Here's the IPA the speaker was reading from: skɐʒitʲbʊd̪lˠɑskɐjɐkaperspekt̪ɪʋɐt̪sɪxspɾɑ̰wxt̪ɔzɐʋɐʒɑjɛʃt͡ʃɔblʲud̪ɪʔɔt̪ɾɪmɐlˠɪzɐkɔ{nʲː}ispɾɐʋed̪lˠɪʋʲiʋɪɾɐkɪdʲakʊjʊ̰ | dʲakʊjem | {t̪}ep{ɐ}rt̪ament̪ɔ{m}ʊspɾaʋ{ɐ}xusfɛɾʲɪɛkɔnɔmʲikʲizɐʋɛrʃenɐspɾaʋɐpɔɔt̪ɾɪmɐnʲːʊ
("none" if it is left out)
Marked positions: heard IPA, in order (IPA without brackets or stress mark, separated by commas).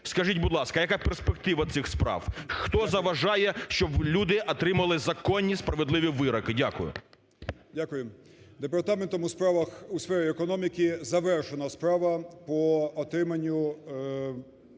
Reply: nʲː, d̪, ɐ, m, ɐ